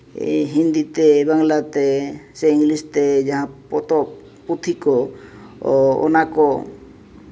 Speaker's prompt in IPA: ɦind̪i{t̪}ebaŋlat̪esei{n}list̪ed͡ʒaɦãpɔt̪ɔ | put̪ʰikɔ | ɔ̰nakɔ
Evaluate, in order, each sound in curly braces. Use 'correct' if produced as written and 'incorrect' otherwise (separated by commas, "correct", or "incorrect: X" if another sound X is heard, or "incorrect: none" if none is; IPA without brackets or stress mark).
correct, incorrect: ŋ